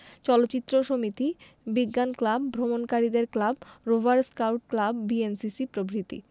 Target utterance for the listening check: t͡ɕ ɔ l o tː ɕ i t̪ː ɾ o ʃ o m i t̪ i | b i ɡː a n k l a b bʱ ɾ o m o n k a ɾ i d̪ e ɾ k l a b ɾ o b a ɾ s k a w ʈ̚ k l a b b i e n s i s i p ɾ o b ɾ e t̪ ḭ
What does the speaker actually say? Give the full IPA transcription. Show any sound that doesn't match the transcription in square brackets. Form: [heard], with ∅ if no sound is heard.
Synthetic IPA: t͡ɕ ɔ l o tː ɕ i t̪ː ɾ o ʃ o m i t̪ i | b i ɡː a n k l a b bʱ ɾ o m o n k a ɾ i d̪ e ɾ k l a b ɾ o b a ɾ s k a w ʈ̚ k l a b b i e n s i s i p ɾ o b ɾ [i] t̪ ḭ